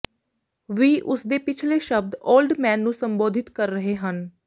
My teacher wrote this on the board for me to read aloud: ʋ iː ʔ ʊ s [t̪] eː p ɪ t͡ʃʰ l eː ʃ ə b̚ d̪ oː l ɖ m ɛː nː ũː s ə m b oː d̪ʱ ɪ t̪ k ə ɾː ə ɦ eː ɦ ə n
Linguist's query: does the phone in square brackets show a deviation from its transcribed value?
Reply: yes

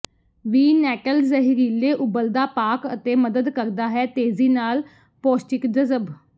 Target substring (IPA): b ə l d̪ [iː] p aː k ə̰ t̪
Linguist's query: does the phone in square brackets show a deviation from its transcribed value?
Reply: yes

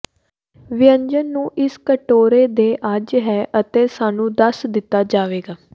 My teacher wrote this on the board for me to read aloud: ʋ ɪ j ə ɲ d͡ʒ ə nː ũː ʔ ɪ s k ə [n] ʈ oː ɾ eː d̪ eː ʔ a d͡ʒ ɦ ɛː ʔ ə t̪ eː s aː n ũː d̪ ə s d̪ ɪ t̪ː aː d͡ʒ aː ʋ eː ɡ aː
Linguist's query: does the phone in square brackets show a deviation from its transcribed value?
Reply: yes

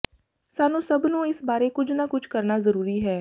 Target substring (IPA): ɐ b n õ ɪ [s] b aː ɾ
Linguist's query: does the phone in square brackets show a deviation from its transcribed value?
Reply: no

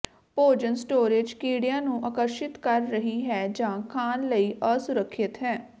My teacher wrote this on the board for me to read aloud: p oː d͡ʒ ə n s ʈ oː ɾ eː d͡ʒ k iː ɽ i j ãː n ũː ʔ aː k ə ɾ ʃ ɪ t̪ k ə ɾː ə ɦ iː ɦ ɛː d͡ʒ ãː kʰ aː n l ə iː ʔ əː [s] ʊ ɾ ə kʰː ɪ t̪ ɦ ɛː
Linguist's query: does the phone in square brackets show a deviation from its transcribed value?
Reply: no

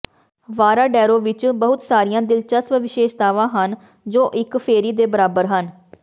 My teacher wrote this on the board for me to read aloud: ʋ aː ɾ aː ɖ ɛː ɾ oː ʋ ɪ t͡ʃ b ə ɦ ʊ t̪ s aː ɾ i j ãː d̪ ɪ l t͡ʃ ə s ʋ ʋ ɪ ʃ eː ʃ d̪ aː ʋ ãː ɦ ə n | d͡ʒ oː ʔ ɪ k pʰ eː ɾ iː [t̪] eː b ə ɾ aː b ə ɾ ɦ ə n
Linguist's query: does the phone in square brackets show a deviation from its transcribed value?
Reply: yes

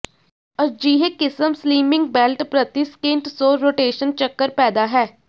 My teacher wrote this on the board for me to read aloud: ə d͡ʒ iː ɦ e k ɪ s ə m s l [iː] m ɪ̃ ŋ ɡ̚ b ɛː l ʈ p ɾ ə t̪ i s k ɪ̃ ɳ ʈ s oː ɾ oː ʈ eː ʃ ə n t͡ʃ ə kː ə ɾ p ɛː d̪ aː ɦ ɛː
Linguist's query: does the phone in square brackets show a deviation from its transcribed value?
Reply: no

